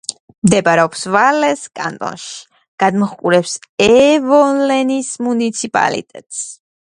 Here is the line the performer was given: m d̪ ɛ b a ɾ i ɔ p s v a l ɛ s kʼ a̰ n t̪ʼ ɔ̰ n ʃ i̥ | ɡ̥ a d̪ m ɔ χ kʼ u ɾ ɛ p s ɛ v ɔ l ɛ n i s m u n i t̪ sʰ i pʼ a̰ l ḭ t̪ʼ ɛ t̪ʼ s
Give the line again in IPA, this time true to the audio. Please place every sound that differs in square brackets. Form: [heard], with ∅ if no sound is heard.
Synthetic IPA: m d̪ ɛ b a ɾ [ɛ] ɔ p s v a l ɛ s kʼ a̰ n t̪ʼ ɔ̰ n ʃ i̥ | ɡ̥ a d̪ m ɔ χ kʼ u ɾ ɛ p s ɛ v ɔ l ɛ n i s m u n i t̪ sʰ i pʼ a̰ l ḭ t̪ʼ ɛ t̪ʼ s

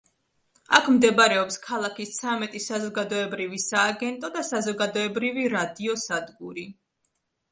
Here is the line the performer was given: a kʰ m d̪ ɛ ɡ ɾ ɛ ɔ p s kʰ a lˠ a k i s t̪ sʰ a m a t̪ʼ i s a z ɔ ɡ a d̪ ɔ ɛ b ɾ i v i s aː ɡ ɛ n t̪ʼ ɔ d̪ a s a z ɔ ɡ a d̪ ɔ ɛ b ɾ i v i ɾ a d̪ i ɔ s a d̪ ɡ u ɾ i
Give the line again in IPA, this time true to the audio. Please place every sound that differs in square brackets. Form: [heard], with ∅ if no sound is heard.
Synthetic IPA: a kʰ m d̪ ɛ [b] ɾ ɛ ɔ p s kʰ a lˠ a k i s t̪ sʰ a m [ɛ] t̪ʼ i s a z ɔ ɡ a d̪ ɔ ɛ b ɾ i v i s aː ɡ ɛ n t̪ʼ ɔ d̪ a s a z ɔ ɡ a d̪ ɔ ɛ b ɾ i v i ɾ a d̪ i ɔ s a d̪ ɡ u ɾ i

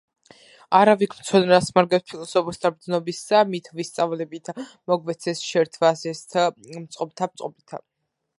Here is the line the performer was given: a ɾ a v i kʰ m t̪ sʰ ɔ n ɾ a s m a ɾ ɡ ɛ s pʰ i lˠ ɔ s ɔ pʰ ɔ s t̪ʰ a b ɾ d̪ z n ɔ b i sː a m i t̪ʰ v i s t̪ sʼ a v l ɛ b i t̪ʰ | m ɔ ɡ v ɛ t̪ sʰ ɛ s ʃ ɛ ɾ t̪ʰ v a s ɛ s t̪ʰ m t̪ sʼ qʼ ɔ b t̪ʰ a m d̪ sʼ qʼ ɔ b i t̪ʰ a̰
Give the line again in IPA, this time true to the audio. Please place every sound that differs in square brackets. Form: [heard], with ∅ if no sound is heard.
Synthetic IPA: a ɾ a v i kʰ m t̪ sʰ ɔ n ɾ a s m a ɾ ɡ ɛ s pʰ i lˠ ɔ s ɔ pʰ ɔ s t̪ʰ a b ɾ d̪ z n ɔ b i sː a m i t̪ʰ v i s t̪ sʼ a v l ɛ b i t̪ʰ | m ɔ ɡ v ɛ t̪ sʰ ɛ s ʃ ɛ ɾ t̪ʰ v a s ɛ s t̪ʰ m t̪ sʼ qʼ ɔ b t̪ʰ a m [t̪] sʼ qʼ ɔ b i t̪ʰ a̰

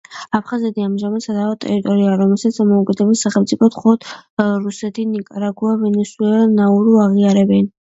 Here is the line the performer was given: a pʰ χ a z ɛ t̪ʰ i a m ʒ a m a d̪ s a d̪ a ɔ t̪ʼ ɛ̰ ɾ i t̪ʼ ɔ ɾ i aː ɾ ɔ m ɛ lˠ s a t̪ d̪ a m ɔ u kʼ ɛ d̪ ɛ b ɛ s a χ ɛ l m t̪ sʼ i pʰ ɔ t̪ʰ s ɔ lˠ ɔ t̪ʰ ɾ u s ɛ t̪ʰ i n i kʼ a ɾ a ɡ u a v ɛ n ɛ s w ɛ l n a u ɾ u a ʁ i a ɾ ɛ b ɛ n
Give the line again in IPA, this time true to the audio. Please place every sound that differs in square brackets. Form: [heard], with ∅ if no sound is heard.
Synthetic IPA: a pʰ χ a z ɛ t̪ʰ i a m ʒ a m a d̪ s a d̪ a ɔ t̪ʼ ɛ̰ ɾ i t̪ʼ ɔ ɾ i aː ɾ ɔ m ɛ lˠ s a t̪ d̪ a m ɔ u kʼ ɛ d̪ ɛ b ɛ s a χ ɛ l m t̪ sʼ i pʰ ɔ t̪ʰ [χ] ɔ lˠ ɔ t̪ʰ ɾ u s ɛ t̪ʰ i n i kʼ a ɾ a ɡ u a v ɛ n ɛ s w ɛ l n a u ɾ u a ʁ i a ɾ ɛ b ɛ n

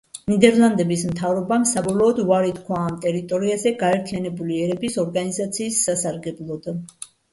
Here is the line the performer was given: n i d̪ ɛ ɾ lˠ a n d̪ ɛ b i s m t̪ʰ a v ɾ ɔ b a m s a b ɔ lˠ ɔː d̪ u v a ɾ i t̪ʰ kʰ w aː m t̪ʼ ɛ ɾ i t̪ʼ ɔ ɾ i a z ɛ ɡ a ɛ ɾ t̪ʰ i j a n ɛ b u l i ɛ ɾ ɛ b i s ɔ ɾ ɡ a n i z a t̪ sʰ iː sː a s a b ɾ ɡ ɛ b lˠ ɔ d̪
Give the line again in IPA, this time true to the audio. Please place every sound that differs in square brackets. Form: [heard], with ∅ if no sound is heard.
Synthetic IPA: n i d̪ ɛ ɾ lˠ a n d̪ ɛ b i s m t̪ʰ a v ɾ ɔ b a m s a b ɔ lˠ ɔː d̪ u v a ɾ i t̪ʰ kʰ w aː m t̪ʼ ɛ ɾ i t̪ʼ ɔ ɾ i a z ɛ ɡ a ɛ ɾ t̪ʰ i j a n ɛ b u l i ɛ ɾ ɛ b i s ɔ ɾ ɡ a n i z a t̪ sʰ iː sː a s a [∅] ɾ ɡ ɛ b lˠ ɔ d̪

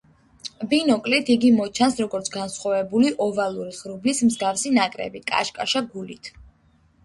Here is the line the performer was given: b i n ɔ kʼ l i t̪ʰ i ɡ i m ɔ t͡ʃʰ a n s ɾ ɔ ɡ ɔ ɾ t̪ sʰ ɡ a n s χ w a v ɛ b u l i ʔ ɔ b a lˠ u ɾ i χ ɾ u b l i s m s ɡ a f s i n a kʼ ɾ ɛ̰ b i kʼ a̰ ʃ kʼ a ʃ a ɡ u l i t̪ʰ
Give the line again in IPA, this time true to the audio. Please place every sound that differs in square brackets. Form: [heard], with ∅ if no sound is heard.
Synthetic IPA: b i n ɔ kʼ l i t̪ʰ i ɡ i m ɔ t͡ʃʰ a n s ɾ ɔ ɡ ɔ ɾ t̪ sʰ ɡ a n s χ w a v ɛ b u l i ʔ ɔ [v] a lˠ u ɾ i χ ɾ u b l i s m [z] ɡ a f s i n a kʼ ɾ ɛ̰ b i kʼ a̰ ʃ kʼ a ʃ a ɡ u l i t̪ʰ

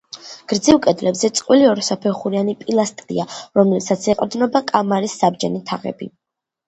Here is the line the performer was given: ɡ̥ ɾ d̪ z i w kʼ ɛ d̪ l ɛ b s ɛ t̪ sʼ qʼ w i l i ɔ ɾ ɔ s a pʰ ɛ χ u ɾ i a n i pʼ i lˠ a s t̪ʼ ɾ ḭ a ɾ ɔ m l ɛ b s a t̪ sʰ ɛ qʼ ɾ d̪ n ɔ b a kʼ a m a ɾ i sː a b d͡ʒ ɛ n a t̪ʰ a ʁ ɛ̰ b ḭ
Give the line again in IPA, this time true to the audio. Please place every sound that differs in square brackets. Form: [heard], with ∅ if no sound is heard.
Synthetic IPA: ɡ̥ ɾ d̪ z i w kʼ ɛ d̪ l ɛ b [z] ɛ t̪ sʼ qʼ w i l i ɔ ɾ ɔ s a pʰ ɛ χ u ɾ i a n i pʼ i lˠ a s t̪ʼ ɾ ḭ a ɾ ɔ m l ɛ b s a t̪ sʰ ɛ qʼ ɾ d̪ n ɔ b a kʼ a m a ɾ i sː a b d͡ʒ ɛ n [i] t̪ʰ a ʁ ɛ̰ b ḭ

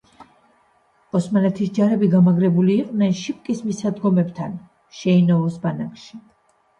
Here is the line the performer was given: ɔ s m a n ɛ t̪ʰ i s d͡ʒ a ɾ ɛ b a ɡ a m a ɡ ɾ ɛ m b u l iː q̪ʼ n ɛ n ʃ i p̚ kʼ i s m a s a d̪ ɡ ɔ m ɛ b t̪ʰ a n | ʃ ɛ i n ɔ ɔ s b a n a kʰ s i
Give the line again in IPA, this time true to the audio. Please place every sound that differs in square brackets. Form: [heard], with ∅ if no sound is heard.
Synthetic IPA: ɔ s m a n ɛ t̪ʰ i s d͡ʒ a ɾ ɛ b [i] ɡ a m a ɡ ɾ ɛ [∅] b u l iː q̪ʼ n ɛ n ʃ i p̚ kʼ i s m [i] s a d̪ ɡ ɔ m ɛ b t̪ʰ a n | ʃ ɛ i n ɔ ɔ s b a n a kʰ [ʃ] i

